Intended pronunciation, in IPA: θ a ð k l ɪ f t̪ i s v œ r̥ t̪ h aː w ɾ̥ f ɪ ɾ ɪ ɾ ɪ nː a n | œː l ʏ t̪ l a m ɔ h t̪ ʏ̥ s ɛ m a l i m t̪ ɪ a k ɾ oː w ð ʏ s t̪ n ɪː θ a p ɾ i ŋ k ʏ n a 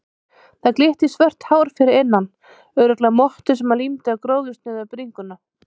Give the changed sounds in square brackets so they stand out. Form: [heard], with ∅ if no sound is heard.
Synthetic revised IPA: θ a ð k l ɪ [h] t̪ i s v œ r̥ t̪ h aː w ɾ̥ f ɪ ɾ ɪ ɾ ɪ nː a n | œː [ɾ] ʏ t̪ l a m ɔ h t̪ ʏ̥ s ɛ m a l i m t̪ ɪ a k ɾ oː w ð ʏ s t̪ n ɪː [ð] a p ɾ i ŋ k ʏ n a